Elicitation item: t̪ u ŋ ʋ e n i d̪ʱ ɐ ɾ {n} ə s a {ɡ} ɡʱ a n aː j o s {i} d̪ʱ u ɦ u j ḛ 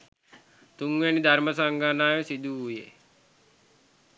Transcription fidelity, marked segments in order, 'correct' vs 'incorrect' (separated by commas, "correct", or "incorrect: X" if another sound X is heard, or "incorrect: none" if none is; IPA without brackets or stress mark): incorrect: m, incorrect: ŋ, correct